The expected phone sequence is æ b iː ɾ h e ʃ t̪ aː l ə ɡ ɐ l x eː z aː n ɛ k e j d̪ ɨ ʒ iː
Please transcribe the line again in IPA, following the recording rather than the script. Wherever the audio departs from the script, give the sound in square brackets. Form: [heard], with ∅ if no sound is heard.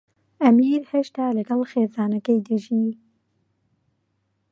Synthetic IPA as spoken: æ [m] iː ɾ h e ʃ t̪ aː l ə ɡ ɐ l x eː z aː n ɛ k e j d̪ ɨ ʒ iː